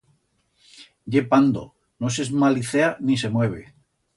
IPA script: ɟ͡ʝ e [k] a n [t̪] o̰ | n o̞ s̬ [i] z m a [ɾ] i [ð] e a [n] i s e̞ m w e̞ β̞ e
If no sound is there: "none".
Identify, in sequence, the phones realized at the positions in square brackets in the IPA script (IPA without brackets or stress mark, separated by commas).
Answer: p, d̪, e, l, θ, n